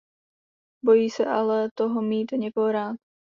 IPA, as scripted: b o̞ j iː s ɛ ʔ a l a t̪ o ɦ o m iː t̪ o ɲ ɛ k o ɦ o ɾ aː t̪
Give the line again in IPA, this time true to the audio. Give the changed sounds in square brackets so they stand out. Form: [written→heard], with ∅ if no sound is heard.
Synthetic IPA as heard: b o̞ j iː s ɛ ʔ a l [a→ɛ] t̪ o ɦ o m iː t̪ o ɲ ɛ k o ɦ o ɾ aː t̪